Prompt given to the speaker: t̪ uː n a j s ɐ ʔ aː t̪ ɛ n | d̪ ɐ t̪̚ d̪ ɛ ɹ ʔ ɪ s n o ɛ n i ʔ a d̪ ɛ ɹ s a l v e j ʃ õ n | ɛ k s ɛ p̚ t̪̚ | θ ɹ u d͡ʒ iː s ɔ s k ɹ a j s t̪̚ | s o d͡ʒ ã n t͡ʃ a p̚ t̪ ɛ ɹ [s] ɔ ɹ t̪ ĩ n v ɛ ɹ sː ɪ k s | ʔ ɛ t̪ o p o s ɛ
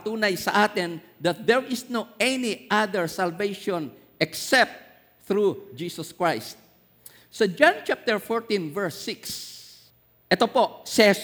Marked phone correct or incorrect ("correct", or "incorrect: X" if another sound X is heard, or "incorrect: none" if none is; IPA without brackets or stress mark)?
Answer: incorrect: f